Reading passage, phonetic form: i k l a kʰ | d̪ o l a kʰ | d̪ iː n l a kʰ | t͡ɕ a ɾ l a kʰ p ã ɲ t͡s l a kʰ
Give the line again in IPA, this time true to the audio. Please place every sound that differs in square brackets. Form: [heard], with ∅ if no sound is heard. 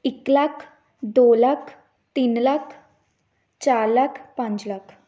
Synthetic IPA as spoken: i k l a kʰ | d̪ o l a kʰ | [t̪] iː n l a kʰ | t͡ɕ a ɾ l a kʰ p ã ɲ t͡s l a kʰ

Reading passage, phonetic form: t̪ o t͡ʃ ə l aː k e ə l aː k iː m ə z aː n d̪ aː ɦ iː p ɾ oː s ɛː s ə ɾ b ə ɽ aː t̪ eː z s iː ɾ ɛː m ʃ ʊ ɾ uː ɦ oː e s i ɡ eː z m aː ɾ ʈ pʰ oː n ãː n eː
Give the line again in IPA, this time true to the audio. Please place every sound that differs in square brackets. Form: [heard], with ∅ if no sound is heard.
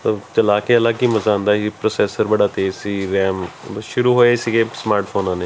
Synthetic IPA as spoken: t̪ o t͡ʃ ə l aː k e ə l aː k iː m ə z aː n d̪ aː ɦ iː p ɾ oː s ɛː s ə ɾ b ə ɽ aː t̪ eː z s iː ɾ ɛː m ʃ ʊ ɾ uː ɦ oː e s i ɡ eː [s] m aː ɾ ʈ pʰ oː n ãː n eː

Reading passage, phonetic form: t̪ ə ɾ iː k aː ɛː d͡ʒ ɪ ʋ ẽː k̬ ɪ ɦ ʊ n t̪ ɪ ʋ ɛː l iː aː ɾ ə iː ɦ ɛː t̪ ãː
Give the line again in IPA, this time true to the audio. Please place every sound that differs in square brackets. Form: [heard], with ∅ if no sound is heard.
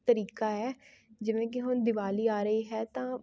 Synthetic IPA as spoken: t̪ ə ɾ iː k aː ɛː d͡ʒ ɪ ʋ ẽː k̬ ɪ ɦ ʊ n [d̪] ɪ ʋ [aː] l iː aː ɾ ə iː ɦ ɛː t̪ ãː

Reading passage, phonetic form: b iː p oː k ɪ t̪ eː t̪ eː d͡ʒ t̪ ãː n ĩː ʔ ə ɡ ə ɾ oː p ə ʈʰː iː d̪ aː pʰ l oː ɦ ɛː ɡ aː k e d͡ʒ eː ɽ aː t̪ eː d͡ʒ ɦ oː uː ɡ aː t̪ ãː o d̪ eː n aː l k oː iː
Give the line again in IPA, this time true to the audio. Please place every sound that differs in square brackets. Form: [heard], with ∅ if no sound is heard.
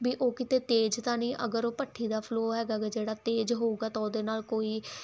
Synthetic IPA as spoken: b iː [ʔ] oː k ɪ t̪ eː t̪ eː d͡ʒ t̪ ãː n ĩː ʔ ə ɡ ə ɾ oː p ə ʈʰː iː d̪ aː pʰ l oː ɦ ɛː ɡ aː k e d͡ʒ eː ɽ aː t̪ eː d͡ʒ ɦ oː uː ɡ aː t̪ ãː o d̪ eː n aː l k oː iː

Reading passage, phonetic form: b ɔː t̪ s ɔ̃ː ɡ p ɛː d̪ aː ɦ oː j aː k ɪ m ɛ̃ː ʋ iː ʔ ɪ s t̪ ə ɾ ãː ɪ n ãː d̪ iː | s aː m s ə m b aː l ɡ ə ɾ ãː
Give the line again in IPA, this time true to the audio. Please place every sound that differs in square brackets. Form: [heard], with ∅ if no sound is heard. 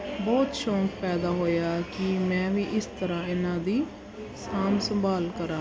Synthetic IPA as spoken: b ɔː t̪ [ʃ] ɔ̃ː [k] p ɛː d̪ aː ɦ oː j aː k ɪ m ɛ̃ː ʋ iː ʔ ɪ s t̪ ə ɾ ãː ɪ n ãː d̪ iː | s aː m s ə m b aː l [k] ə ɾ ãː

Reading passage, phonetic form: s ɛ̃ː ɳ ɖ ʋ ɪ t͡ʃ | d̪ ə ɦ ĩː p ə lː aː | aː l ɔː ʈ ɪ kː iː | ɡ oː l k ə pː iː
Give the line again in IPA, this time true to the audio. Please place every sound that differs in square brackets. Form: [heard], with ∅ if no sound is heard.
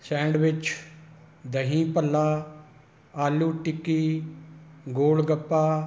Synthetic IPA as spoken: s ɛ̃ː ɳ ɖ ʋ ɪ t͡ʃ | d̪ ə ɦ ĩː p ə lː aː | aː l [uː] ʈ ɪ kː iː | ɡ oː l [ɡ] ə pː [aː]

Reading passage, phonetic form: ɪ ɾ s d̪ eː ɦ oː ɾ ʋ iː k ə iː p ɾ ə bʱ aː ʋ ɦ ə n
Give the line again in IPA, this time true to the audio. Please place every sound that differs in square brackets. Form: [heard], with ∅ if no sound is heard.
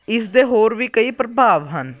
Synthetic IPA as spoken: ɪ [∅] s d̪ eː ɦ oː ɾ ʋ iː k ə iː p ɾ ə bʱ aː ʋ ɦ ə n

